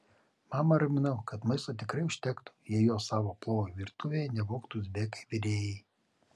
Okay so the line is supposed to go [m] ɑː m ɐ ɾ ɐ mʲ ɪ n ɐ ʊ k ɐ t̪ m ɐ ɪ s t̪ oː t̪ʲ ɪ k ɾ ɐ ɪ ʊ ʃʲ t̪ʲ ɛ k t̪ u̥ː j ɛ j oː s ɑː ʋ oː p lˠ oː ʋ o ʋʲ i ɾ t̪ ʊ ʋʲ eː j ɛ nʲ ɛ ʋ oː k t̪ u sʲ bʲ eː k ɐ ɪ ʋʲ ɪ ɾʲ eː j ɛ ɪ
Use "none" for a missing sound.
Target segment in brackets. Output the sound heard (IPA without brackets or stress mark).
m